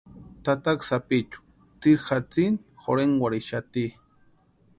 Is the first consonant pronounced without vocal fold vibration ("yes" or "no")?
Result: yes